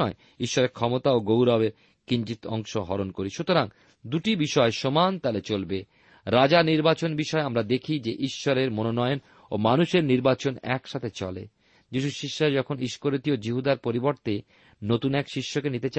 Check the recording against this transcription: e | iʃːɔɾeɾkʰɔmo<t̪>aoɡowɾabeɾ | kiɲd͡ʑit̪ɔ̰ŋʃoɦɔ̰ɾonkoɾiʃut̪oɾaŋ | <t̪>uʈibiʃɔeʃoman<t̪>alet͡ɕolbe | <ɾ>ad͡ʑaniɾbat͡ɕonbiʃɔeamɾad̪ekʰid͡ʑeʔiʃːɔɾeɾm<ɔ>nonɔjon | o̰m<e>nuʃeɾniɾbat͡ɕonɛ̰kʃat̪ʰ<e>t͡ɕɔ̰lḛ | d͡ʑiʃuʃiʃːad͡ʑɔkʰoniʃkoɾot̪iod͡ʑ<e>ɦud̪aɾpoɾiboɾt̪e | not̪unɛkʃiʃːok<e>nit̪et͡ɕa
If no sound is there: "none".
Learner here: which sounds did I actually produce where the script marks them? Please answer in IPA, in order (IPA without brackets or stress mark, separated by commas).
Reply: t̪, d̪, t̪, ɾ, o, a, e, i, e